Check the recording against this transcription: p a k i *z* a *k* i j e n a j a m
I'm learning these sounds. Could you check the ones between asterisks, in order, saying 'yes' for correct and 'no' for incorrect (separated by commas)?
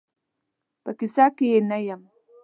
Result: no, yes